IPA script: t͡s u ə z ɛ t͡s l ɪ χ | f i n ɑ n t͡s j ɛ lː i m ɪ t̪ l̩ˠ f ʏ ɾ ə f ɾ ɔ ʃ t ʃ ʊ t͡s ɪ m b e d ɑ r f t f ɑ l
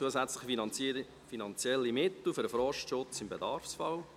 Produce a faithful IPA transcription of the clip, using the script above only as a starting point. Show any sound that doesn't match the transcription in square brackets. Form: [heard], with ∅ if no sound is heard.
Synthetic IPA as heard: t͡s u ə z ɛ t͡s l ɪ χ | f i n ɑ n t͡s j ɛ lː i m ɪ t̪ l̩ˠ f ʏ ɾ ə f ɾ ɔ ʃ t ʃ ʊ t͡s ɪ m b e d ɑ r f [s] f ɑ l